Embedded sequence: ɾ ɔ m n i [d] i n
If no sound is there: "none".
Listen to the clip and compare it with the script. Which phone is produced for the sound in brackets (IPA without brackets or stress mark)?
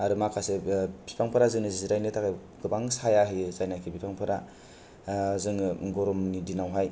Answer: d